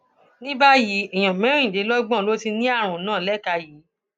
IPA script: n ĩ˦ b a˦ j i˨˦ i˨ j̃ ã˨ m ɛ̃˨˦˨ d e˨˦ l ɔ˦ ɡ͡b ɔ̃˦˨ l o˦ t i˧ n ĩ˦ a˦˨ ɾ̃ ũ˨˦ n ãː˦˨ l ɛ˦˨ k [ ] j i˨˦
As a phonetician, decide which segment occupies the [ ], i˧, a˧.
a˧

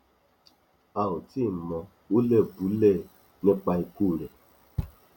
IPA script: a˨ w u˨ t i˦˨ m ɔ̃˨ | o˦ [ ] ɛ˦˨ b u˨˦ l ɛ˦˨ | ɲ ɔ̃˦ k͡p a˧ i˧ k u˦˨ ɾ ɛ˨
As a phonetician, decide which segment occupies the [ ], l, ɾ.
l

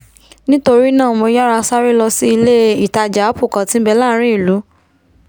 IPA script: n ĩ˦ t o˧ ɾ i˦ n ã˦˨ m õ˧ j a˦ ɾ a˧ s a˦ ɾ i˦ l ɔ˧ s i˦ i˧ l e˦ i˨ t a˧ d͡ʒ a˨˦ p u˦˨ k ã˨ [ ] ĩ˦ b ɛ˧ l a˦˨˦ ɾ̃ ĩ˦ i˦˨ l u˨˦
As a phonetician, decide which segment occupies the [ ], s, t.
t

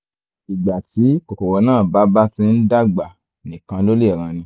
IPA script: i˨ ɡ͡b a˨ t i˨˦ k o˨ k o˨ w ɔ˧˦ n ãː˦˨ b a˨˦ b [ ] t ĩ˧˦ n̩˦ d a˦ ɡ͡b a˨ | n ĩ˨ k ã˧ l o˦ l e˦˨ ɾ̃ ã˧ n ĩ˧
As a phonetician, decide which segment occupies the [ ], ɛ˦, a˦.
a˦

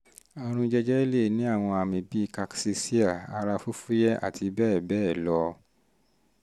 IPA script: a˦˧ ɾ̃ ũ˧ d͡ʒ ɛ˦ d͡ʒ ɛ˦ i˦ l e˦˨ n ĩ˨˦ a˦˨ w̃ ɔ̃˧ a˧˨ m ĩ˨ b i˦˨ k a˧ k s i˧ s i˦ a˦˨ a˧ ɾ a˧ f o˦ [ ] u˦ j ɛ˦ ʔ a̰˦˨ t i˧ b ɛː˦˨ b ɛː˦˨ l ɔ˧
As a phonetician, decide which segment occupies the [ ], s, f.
f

